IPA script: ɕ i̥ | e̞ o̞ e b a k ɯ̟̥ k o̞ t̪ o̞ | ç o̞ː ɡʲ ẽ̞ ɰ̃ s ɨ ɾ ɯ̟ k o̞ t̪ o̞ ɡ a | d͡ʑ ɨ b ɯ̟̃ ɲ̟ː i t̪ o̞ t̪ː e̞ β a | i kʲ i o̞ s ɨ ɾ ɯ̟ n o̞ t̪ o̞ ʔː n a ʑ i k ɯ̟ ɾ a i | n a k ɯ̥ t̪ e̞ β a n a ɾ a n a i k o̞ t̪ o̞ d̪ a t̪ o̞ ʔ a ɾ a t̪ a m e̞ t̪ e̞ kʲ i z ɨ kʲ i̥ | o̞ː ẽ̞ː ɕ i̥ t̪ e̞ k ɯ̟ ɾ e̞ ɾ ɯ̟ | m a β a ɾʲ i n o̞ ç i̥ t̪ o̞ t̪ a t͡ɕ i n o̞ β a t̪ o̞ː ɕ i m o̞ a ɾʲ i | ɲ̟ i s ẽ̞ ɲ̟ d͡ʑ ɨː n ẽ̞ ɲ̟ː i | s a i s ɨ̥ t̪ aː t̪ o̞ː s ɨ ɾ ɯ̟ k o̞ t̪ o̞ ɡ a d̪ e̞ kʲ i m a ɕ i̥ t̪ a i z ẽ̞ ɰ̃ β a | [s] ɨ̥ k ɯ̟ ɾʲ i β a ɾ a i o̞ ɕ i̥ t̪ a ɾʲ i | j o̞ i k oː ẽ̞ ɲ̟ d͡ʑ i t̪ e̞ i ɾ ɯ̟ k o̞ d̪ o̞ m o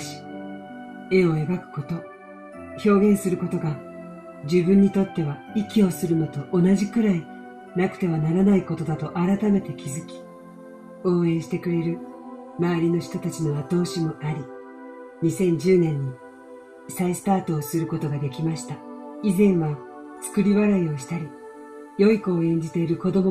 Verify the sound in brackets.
incorrect: t͡s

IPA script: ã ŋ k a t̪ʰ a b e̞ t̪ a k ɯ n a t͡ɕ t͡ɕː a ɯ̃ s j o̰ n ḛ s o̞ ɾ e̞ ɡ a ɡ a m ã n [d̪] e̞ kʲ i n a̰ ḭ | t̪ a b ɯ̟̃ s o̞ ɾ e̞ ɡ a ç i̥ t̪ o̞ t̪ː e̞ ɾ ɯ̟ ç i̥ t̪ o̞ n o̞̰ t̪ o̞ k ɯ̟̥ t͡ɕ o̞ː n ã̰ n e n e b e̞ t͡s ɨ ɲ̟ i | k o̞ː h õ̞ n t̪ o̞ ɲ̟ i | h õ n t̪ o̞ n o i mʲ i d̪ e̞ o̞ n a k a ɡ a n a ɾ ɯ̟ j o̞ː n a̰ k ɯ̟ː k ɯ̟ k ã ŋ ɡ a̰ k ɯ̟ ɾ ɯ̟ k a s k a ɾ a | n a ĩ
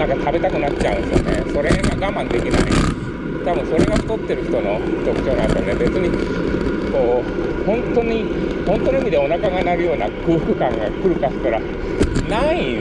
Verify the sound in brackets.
correct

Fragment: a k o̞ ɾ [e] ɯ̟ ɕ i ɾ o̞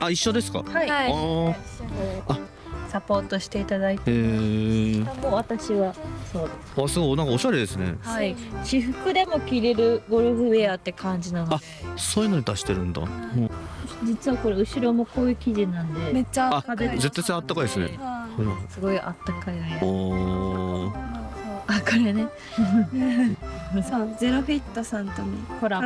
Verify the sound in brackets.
correct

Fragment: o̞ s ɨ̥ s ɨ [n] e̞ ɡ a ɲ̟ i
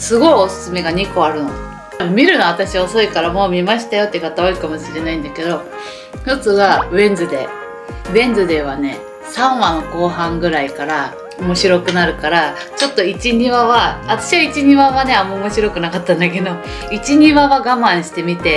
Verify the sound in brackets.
incorrect: m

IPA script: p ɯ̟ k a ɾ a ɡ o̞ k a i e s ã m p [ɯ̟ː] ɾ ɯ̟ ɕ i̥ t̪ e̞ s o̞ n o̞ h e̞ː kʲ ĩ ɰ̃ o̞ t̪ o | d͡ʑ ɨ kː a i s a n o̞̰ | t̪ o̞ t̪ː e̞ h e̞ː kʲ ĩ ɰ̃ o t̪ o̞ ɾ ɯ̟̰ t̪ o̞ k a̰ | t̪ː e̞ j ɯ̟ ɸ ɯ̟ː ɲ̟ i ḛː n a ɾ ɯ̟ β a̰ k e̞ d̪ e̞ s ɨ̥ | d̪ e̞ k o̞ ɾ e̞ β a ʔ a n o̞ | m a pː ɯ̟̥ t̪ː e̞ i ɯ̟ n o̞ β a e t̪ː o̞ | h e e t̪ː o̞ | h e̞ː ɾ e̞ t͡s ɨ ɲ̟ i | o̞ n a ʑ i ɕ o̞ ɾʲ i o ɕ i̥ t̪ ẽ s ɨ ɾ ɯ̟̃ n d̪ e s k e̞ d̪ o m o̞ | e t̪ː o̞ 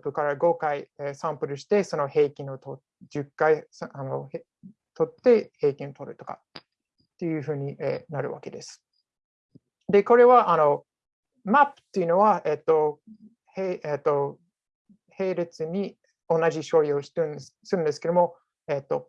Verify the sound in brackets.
incorrect: ɯ̟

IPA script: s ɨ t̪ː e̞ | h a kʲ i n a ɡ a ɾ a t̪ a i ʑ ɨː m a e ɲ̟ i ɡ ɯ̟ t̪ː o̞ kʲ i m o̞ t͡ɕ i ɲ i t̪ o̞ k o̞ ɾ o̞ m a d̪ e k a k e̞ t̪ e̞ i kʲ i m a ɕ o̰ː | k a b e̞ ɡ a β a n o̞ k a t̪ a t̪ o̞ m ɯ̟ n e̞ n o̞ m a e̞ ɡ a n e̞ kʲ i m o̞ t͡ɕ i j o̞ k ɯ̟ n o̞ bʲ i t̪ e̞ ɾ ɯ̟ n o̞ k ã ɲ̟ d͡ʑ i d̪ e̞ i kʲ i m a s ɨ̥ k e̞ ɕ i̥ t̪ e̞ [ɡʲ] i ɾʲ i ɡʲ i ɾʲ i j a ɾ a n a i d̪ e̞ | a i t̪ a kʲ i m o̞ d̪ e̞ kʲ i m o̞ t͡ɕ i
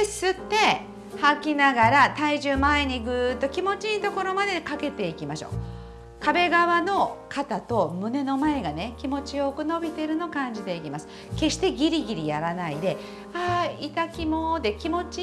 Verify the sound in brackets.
correct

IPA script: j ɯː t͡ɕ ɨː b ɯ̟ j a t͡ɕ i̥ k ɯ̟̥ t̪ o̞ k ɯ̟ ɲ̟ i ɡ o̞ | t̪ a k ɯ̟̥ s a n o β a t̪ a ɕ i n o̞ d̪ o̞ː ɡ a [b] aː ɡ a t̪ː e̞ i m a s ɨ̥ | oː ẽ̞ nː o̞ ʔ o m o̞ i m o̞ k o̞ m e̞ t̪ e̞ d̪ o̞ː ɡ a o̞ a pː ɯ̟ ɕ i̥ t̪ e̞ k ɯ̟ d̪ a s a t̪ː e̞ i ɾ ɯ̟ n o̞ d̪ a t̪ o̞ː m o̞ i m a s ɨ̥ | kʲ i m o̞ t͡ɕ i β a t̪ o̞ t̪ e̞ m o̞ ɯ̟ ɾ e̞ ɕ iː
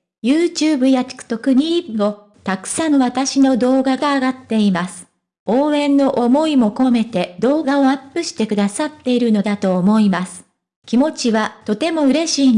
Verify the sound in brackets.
incorrect: ɡ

